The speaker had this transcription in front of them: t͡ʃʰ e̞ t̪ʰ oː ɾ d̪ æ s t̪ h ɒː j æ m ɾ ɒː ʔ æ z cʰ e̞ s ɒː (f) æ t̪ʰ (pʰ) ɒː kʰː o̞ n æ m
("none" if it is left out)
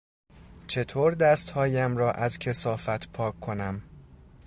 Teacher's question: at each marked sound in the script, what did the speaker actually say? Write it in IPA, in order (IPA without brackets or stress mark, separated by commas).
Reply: f, pʰ